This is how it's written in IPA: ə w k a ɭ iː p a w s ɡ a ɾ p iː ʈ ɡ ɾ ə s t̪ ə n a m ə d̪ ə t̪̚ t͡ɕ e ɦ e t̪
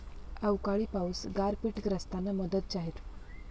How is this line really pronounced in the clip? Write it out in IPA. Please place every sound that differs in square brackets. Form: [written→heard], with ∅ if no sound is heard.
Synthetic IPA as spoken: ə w k a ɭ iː p a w s ɡ a ɾ p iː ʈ ɡ ɾ ə s t̪ [ə→a] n a m ə d̪ ə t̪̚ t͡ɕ [e→a] ɦ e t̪